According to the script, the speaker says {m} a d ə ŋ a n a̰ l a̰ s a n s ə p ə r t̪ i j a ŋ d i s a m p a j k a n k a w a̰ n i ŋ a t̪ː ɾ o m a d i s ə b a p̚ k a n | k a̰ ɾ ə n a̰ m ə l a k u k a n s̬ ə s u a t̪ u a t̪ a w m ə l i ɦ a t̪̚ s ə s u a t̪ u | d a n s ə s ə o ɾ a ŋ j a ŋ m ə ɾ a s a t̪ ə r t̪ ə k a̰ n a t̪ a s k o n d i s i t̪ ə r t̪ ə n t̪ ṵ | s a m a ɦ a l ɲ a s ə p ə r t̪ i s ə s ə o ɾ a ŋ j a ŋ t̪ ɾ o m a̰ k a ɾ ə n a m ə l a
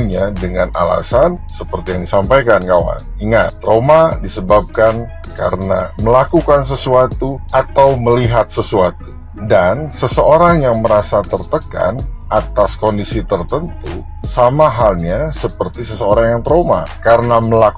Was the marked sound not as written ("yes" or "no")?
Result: yes